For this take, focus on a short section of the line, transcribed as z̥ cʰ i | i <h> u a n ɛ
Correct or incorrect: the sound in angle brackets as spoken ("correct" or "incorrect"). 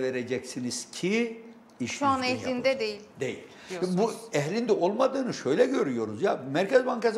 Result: incorrect